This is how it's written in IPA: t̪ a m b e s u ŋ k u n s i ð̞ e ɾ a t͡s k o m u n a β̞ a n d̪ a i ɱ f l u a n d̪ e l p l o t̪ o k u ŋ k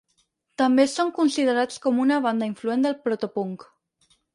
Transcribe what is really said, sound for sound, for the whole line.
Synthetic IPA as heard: t̪ a m b e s o ŋ k u n s i ð̞ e ɾ a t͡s k o m u n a β̞ a n d̪ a i ɱ f l u e n d̪ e l p ɾ o t̪ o p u ŋ k